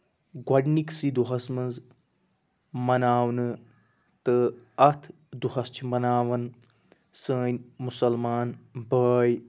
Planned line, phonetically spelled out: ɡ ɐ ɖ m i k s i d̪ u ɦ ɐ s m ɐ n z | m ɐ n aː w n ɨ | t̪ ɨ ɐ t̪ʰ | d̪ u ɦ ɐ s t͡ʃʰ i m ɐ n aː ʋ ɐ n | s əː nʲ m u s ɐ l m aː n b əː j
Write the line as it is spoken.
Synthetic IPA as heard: ɡ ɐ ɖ n i k s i d̪ u ɦ ɐ s m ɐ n z | m ɐ n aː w n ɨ | t̪ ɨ ɐ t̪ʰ | d̪ u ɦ ɐ s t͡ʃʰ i m ɐ n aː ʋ ɐ n | s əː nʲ m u s ɐ l m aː n b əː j

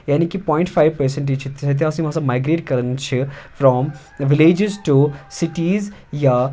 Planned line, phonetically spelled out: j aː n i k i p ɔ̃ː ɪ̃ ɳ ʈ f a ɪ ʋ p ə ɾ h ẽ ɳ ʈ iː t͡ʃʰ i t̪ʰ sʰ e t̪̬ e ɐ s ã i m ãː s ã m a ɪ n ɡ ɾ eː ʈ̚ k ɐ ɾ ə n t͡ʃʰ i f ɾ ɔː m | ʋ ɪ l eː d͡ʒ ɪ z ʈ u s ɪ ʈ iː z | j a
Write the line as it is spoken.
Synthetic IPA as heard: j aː n i k i p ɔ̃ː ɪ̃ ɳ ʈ f a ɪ ʋ p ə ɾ s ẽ ɳ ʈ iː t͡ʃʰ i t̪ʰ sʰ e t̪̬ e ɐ s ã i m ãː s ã m a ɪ ɡ ɾ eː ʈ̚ k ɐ ɾ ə n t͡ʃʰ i f ɾ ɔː m | ʋ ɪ l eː d͡ʒ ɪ z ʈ u s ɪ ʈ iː z | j a

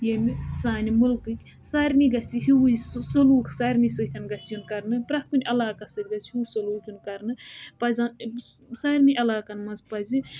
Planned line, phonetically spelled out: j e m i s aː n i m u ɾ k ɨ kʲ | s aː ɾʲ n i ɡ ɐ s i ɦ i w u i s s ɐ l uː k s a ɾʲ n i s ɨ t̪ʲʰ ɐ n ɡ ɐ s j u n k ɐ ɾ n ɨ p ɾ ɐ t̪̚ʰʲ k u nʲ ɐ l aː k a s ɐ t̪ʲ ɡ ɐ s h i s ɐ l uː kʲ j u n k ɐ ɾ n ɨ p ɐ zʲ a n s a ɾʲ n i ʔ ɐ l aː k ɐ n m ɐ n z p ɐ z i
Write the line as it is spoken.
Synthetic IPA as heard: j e m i s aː n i m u l k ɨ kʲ | s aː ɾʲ n i ɡ ɐ s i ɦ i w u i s s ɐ l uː k s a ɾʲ n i s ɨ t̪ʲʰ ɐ n ɡ ɐ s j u n k ɐ ɾ n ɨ p ɾ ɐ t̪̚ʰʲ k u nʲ ɐ l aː k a s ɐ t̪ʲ ɡ ɐ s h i s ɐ l uː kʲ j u n k ɐ ɾ n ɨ p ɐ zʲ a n s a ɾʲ n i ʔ ɐ l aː k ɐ n m ɐ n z p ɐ z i

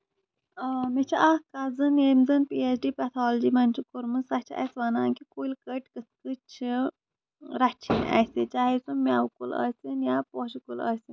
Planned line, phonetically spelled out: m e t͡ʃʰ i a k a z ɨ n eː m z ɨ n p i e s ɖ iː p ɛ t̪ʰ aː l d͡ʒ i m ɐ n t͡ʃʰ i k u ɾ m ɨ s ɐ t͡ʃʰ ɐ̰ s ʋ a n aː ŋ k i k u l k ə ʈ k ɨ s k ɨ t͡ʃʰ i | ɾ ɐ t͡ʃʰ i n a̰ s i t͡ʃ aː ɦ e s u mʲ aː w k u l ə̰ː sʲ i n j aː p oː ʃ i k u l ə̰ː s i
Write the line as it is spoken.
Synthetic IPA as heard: m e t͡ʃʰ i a k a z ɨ n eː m z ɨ n p i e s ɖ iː p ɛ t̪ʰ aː l d͡ʒ i m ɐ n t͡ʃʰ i k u ɾ m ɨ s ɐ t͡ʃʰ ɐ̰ s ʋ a n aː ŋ k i k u l k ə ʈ k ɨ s k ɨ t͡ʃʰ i | ɾ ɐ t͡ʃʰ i n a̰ s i t͡ʃ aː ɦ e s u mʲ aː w k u l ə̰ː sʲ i n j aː p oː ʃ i k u l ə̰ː s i

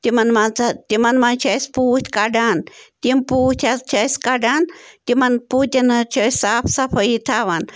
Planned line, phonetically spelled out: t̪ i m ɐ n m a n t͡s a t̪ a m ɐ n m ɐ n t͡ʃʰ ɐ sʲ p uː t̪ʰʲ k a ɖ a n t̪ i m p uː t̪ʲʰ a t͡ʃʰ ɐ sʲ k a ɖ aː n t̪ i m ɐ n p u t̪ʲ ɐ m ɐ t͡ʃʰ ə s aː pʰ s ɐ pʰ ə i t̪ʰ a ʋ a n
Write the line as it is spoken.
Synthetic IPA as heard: t̪ i m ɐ n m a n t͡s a t̪ i m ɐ n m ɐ n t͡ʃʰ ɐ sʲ p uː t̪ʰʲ k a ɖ a n t̪ i m p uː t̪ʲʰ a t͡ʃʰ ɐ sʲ k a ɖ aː n t̪ i m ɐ n p u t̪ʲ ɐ n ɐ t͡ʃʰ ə s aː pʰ s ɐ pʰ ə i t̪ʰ a ʋ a n

